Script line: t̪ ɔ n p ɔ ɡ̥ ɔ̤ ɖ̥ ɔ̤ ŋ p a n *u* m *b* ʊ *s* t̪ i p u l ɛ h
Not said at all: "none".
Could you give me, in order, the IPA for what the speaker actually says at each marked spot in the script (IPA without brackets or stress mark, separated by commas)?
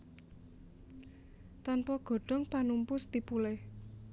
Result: u, p, s